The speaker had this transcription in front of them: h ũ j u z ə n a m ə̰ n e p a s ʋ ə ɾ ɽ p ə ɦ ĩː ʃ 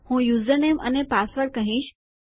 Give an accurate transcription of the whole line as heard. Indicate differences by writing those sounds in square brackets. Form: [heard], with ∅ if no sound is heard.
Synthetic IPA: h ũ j u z ə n [e] m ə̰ n e p a s ʋ ə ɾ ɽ [k] ə ɦ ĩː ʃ